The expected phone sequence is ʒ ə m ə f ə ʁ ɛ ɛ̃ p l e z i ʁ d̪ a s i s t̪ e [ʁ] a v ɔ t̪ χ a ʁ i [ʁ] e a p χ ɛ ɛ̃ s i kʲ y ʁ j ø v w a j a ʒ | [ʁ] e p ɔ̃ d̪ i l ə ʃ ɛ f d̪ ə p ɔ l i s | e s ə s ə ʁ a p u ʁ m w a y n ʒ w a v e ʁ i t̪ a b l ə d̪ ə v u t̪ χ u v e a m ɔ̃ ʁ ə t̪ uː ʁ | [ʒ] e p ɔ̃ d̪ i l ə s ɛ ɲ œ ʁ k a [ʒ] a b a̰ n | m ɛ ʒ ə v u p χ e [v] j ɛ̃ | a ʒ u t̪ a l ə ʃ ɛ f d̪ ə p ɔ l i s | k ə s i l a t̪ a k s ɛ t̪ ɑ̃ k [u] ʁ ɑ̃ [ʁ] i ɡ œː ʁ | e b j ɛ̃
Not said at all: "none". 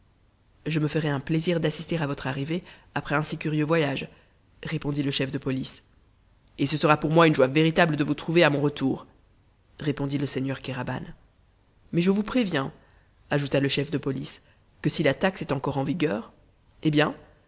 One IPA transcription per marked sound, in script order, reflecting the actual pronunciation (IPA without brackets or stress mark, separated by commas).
ʁ, v, ʁ, ʁ, ʁ, v, ɔ, v